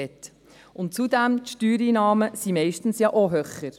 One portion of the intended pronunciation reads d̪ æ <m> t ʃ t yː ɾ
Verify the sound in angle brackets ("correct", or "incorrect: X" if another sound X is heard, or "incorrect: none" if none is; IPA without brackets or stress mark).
correct